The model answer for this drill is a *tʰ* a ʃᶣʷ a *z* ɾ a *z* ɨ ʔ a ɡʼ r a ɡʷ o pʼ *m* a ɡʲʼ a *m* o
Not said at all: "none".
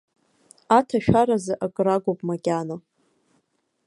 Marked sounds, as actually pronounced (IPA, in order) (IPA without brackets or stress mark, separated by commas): tʰ, none, z, m, n